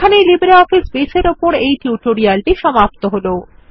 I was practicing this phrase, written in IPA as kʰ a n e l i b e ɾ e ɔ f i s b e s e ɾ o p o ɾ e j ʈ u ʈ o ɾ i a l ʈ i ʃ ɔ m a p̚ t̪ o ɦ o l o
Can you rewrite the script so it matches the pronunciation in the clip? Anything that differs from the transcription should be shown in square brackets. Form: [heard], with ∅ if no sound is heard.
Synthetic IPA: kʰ a n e l i b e ɾ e ɔ f i s b e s e ɾ o p o ɾ e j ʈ u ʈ o ɾ i a l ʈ i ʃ ɔ m a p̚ t̪ o ɦ o l o

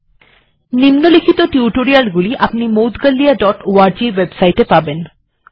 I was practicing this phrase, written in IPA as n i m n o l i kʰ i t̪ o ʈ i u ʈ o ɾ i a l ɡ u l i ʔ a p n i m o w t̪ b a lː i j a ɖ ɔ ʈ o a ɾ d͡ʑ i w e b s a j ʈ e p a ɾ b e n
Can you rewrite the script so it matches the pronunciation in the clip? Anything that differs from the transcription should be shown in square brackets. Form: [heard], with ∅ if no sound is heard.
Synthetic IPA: n i m n o l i kʰ i t̪ o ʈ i u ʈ o ɾ i a l ɡ u l i ʔ a p n i m o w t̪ [ɡ] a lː i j a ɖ ɔ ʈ o a ɾ d͡ʑ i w e b s a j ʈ e p a [∅] b e n

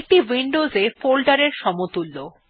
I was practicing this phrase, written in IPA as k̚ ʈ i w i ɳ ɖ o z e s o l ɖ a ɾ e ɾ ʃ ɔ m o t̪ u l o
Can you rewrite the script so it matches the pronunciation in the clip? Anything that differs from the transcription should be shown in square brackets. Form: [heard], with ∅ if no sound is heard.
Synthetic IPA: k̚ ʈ i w i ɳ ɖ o z e [f] o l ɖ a ɾ e ɾ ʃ ɔ m o t̪ u [lː] o

